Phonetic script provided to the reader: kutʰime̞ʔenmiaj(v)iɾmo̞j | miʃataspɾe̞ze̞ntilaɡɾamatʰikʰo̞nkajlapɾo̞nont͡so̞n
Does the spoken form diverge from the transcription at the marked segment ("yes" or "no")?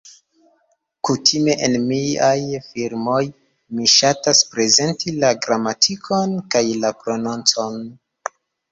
yes